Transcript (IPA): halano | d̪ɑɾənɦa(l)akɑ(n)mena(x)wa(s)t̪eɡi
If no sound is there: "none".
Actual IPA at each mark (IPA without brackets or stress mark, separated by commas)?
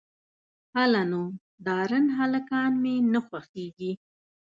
l, n, x, x